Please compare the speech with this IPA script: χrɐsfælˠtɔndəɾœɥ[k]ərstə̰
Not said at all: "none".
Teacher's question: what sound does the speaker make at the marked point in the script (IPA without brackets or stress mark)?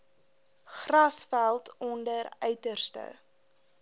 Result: t